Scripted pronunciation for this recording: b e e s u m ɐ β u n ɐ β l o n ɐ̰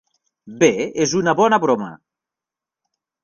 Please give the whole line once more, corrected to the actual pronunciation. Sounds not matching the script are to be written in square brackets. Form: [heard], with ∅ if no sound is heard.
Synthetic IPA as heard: b e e [z] u [n] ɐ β [ɔ] n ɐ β [ɾ] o [m] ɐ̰